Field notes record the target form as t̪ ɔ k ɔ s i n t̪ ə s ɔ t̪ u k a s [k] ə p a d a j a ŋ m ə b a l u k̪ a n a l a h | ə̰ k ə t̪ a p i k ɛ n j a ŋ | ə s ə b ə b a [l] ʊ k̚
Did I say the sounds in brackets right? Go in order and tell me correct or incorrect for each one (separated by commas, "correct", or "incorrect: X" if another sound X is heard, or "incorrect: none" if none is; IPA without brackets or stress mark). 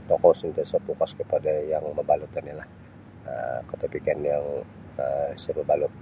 correct, correct